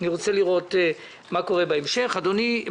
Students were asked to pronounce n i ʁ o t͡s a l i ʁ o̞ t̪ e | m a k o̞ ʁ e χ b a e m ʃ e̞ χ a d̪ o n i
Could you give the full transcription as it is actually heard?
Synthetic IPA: n i ʁ o t͡s e l i ʁ o̞ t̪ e | m a k o̞ ʁ e b a e m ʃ e̞ χ a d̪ o n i